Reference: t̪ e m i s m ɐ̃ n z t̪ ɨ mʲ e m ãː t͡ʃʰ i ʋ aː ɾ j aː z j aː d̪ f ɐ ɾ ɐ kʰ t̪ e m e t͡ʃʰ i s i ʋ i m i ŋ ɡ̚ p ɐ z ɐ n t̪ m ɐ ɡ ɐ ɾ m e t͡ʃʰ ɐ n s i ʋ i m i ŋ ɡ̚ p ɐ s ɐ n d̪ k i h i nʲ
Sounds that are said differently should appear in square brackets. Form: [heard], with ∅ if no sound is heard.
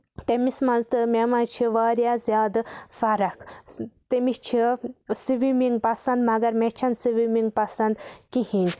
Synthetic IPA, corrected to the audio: t̪ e m i s m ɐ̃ n z t̪ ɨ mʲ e m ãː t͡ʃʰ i ʋ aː ɾ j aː z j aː d̪ f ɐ ɾ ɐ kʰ t̪ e m [i] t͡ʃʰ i s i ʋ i m i ŋ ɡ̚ p ɐ [s] ɐ n [d̪] m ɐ ɡ ɐ ɾ m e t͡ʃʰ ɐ n s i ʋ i m i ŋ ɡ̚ p ɐ s ɐ n d̪ k i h i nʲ